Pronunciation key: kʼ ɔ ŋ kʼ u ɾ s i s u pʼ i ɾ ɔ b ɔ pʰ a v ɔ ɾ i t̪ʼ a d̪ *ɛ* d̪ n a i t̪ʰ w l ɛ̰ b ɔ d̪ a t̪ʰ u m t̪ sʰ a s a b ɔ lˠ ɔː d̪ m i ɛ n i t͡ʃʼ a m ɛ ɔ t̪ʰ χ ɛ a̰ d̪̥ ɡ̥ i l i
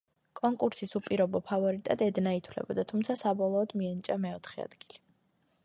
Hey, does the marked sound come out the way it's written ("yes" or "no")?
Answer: yes